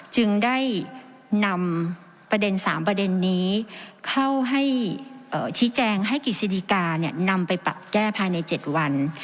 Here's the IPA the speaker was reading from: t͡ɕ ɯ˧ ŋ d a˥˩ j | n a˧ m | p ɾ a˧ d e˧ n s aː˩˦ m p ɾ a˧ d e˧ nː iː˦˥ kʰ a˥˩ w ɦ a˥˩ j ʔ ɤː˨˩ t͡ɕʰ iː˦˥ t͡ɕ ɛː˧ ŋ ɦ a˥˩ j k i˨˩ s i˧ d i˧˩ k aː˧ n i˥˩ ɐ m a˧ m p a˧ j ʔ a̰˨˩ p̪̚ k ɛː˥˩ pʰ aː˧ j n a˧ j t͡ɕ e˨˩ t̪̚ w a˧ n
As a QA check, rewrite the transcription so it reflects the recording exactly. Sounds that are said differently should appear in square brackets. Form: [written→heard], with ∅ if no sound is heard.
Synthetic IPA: t͡ɕ ɯ˧ ŋ d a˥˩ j | n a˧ m | p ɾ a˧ d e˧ n s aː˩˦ m p ɾ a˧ d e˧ nː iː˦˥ kʰ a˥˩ w ɦ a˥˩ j ʔ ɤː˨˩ t͡ɕʰ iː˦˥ t͡ɕ ɛː˧ ŋ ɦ a˥˩ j k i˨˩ s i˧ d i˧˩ k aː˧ n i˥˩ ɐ [m→n] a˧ m p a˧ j [ʔ→p] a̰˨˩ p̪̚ k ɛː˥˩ pʰ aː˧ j n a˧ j t͡ɕ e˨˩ t̪̚ w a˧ n